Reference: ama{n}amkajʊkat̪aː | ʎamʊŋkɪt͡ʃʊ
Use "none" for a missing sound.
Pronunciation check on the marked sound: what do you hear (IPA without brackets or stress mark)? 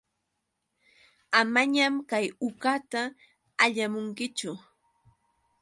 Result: ɲ